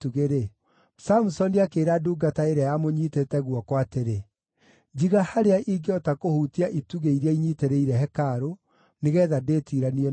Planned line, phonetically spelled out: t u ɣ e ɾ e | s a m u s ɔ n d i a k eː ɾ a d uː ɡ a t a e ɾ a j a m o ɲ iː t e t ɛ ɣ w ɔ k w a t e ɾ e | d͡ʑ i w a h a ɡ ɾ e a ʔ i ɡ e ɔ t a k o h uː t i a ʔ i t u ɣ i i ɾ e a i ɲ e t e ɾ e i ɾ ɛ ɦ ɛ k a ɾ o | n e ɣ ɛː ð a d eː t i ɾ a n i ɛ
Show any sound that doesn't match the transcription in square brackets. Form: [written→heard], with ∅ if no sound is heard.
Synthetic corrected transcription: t u ɣ e ɾ e | s a m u s ɔ n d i a k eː ɾ a d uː ɡ a t a e ɾ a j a m o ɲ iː t e t ɛ ɣ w ɔ k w a t e ɾ e | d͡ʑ i [w→ɣ] a h a [ɡ→∅] ɾ e a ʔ i ɡ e ɔ t a k o h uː t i a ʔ i t u ɣ [i→e] i ɾ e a i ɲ [e→i] t e ɾ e i ɾ ɛ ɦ ɛ k a ɾ o | n e ɣ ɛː ð a d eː t i ɾ a n i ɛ